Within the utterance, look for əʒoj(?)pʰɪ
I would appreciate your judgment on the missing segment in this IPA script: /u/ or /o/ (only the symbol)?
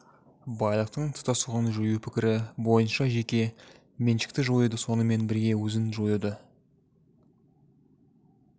u